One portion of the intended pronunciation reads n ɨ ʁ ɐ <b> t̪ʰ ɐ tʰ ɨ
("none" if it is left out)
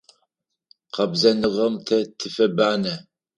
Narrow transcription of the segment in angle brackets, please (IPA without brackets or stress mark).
m